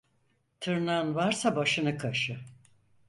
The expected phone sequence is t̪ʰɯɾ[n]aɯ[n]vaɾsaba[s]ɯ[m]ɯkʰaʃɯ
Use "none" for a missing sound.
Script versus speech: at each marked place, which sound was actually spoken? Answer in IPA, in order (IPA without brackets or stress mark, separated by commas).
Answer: n, n, ʃ, n